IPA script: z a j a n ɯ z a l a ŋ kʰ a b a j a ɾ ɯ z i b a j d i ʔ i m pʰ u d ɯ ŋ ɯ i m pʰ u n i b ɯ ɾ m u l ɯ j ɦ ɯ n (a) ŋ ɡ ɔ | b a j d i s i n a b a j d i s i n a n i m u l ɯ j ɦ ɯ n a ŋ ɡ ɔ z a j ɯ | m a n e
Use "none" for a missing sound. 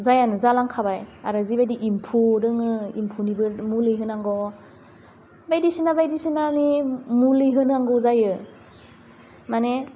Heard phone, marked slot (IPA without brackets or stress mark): a